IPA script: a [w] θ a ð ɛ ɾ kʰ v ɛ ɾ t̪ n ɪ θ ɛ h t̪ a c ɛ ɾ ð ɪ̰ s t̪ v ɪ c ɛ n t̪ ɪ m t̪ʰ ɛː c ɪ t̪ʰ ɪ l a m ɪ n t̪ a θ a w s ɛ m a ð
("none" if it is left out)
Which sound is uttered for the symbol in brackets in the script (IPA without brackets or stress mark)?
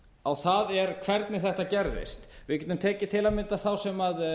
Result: w